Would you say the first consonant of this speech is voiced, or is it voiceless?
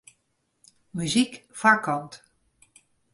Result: voiced